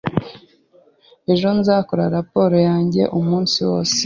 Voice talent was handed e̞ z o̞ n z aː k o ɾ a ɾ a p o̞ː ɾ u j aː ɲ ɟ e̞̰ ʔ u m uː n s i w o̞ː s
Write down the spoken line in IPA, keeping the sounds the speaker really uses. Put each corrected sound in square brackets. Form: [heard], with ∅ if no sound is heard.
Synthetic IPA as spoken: e̞ [ʒ] o̞ n z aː k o ɾ a ɾ a p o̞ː ɾ [o] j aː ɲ ɟ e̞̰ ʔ u m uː n s i w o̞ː s